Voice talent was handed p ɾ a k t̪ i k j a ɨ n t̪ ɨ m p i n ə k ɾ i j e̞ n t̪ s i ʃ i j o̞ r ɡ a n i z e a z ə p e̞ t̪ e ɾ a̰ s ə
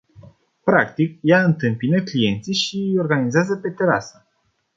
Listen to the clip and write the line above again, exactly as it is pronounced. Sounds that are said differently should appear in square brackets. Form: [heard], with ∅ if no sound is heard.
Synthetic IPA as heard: p ɾ a k t̪ i k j a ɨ n t̪ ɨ m p i n ə k [l] i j e̞ n t̪ s i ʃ i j o̞ r ɡ a n i z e a z ə p e̞ t̪ e ɾ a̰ s ə